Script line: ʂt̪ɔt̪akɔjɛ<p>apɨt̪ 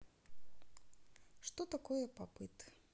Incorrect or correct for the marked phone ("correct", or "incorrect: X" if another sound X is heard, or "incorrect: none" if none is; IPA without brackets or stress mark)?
correct